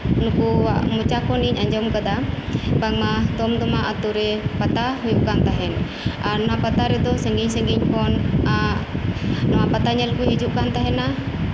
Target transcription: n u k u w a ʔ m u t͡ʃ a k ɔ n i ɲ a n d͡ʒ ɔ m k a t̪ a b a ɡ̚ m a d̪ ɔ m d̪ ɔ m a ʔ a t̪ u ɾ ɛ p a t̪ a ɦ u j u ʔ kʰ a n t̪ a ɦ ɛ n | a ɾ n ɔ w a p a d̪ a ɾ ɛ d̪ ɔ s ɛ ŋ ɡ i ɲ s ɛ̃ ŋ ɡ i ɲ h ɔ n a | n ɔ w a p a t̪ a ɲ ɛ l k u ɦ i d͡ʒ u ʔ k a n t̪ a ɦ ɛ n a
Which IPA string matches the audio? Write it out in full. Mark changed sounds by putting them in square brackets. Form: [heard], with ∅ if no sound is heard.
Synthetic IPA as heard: n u k u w a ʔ m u t͡ʃ a k ɔ n i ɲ a [ɲ] d͡ʒ ɔ m k a [d̪] a b a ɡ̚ m a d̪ ɔ m d̪ ɔ m a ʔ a t̪ u ɾ ɛ p a t̪ a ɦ u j u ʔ [k] a n t̪ a ɦ ɛ n | a ɾ n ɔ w a p a [t̪] a ɾ ɛ d̪ ɔ s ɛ ŋ ɡ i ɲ s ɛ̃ ŋ ɡ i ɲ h ɔ n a | n ɔ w a p a t̪ a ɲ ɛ l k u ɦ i d͡ʒ u ʔ k a n t̪ a ɦ ɛ n a